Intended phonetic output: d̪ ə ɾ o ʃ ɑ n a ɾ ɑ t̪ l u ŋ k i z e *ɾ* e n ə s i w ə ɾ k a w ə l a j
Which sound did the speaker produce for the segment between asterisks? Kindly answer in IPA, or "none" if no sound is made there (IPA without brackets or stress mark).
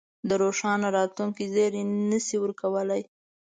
ɾ